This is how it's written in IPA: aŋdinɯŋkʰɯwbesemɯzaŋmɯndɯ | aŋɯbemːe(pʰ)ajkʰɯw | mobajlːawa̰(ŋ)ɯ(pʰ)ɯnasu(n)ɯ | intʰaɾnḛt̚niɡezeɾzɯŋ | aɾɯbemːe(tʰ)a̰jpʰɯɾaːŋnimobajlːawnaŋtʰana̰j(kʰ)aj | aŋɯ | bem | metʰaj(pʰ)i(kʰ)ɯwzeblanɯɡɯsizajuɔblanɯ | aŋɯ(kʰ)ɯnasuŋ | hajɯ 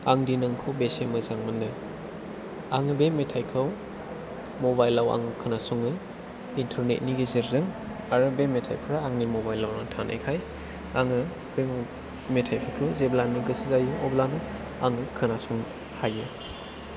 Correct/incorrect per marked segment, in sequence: incorrect, correct, incorrect, incorrect, correct, correct, correct, correct, correct

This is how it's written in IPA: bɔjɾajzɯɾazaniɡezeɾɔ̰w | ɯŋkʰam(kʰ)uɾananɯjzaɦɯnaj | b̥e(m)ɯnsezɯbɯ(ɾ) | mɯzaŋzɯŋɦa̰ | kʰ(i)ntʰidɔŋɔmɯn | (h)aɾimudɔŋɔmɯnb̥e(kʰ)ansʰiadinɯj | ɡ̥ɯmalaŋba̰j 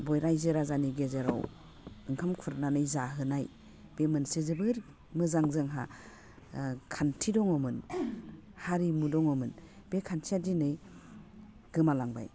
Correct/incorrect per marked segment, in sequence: correct, correct, correct, incorrect, correct, correct

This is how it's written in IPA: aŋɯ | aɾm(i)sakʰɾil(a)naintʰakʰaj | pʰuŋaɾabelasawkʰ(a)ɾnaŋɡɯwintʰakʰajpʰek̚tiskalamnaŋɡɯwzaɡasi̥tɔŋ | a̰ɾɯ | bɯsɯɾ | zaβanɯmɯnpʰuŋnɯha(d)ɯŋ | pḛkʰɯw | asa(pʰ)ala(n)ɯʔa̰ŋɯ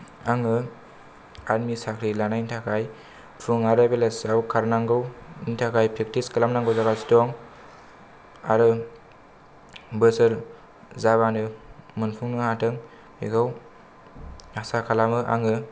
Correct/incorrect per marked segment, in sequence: correct, correct, correct, incorrect, incorrect, incorrect

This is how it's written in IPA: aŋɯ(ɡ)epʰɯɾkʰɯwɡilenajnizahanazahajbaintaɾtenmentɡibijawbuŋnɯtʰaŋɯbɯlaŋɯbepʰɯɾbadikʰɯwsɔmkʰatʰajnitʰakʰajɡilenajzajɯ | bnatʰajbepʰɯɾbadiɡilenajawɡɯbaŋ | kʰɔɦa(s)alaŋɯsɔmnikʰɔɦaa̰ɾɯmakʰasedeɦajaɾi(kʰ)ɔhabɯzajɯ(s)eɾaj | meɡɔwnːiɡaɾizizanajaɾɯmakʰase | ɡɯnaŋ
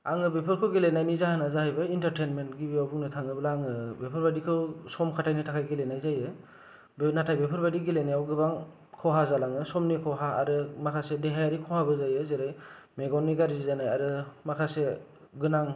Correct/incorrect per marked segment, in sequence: incorrect, incorrect, correct, incorrect

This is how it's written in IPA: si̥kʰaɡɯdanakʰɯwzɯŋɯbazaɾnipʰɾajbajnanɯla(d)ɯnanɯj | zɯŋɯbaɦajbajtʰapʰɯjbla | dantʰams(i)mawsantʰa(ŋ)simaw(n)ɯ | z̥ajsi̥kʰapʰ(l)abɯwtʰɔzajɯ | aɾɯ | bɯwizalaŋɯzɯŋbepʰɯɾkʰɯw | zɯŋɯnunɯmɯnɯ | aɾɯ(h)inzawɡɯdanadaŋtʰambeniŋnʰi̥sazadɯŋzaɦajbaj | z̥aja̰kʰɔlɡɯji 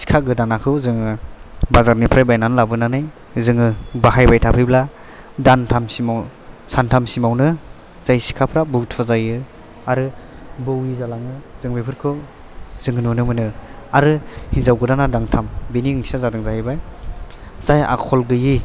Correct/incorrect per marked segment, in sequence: incorrect, correct, incorrect, correct, incorrect, correct

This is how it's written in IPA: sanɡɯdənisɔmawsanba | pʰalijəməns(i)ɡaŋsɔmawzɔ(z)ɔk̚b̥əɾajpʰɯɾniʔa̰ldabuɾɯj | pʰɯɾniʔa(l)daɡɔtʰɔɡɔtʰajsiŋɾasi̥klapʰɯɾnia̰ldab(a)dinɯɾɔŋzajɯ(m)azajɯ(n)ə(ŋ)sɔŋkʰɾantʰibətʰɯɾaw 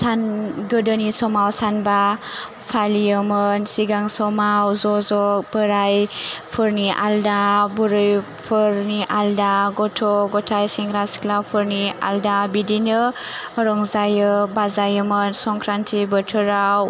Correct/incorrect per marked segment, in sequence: correct, correct, correct, incorrect, incorrect, incorrect, incorrect

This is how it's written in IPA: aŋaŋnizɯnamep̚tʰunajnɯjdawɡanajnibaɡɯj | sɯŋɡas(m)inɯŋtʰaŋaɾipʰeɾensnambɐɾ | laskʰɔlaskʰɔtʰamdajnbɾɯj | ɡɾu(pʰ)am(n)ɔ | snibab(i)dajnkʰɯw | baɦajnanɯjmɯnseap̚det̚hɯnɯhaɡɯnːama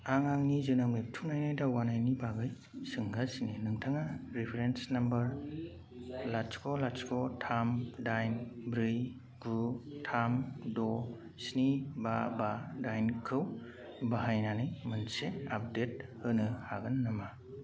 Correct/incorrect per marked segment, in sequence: incorrect, incorrect, incorrect, incorrect

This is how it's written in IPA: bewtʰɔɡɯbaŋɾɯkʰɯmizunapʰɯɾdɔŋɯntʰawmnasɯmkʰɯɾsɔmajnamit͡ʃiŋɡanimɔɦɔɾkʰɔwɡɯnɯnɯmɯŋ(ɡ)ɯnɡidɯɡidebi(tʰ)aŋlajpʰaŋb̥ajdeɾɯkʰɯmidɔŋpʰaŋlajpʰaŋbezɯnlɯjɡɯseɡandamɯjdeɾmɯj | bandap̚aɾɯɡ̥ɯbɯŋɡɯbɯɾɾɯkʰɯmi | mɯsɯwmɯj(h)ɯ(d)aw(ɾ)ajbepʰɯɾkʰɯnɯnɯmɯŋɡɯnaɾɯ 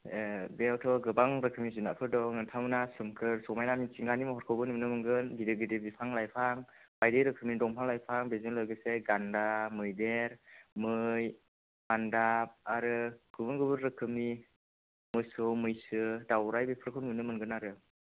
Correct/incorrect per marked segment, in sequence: correct, incorrect, incorrect, correct, correct

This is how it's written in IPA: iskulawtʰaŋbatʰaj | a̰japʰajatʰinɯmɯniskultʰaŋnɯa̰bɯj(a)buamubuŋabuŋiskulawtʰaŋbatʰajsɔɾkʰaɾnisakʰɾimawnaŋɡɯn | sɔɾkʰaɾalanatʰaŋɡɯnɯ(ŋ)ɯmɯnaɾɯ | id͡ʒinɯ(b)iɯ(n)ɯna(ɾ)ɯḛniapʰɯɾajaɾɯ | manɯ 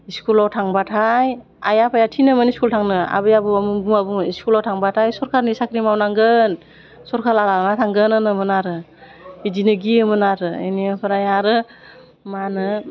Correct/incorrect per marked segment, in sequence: correct, incorrect, incorrect, incorrect, correct

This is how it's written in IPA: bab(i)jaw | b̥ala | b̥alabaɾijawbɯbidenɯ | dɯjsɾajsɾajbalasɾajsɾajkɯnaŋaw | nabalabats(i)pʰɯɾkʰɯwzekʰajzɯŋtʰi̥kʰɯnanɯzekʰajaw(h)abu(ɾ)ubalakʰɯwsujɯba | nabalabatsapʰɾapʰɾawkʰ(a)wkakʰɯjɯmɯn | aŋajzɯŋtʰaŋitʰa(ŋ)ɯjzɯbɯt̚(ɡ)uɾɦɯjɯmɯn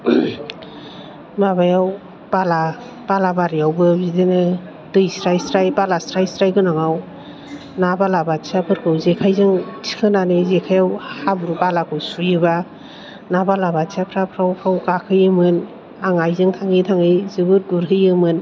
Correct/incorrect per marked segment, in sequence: incorrect, incorrect, correct, correct, correct, correct, correct

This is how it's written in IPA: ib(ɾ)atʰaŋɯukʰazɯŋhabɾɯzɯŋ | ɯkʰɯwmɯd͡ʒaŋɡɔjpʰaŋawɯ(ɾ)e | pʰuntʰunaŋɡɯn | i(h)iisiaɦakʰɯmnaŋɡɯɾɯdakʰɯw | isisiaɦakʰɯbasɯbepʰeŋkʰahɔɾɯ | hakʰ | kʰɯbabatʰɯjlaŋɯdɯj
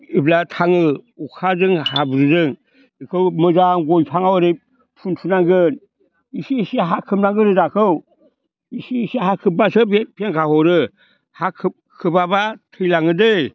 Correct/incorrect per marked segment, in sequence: incorrect, correct, incorrect

